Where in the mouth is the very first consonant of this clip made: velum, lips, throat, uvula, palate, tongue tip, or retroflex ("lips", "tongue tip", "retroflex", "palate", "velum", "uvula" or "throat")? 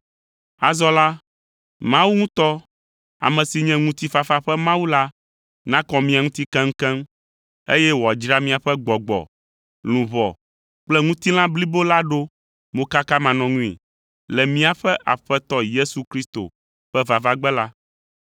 tongue tip